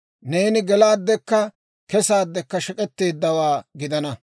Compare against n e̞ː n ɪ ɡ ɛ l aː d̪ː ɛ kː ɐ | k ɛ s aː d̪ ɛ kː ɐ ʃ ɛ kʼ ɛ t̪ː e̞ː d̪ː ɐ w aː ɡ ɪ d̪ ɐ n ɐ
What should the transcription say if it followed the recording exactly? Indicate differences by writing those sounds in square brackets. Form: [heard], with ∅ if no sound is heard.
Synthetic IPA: n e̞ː n ɪ ɡ ɛ l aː d̪ː ɛ kː ɐ | k ɛ s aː [d̪ː] ɛ kː ɐ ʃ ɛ kʼ ɛ t̪ː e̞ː d̪ː ɐ w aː ɡ ɪ d̪ ɐ n ɐ